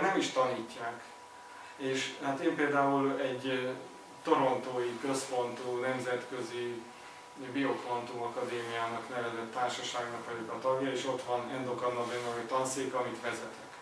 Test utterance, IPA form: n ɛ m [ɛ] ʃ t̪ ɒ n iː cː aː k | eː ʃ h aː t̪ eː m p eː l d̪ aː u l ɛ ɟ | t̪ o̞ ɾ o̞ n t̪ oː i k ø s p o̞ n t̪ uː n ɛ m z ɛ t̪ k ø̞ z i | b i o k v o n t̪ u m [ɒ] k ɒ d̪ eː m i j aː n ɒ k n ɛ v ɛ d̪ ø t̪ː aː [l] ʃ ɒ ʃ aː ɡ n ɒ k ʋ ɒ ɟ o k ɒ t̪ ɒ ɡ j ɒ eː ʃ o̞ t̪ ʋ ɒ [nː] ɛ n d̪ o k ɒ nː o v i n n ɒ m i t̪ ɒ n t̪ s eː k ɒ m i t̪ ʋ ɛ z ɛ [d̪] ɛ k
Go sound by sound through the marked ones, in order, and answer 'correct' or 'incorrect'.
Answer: incorrect: i, correct, incorrect: r, incorrect: n, incorrect: t̪

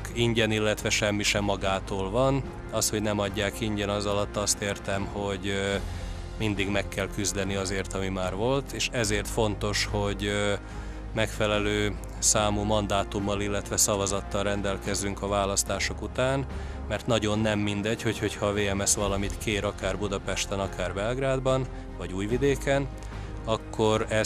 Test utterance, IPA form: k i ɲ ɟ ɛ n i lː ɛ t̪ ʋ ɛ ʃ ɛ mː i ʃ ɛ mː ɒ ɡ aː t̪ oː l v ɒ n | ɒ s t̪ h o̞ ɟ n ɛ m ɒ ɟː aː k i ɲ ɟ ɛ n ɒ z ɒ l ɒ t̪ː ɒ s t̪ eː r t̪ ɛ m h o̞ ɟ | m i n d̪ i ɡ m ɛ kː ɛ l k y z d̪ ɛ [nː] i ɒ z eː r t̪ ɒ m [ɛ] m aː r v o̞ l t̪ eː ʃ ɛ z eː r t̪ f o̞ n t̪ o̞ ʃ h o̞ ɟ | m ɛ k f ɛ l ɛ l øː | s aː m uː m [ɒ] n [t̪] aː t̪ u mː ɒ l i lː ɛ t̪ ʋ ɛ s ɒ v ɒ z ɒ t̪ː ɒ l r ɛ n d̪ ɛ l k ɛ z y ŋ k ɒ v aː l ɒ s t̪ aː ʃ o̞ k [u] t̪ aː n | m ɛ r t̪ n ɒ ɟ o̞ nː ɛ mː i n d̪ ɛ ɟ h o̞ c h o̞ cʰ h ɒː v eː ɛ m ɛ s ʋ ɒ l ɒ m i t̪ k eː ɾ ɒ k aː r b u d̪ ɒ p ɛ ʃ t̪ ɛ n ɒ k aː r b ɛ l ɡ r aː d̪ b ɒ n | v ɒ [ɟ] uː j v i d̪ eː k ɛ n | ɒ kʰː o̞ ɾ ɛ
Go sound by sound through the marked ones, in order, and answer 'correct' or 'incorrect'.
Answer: incorrect: n, incorrect: i, correct, incorrect: d̪, correct, correct

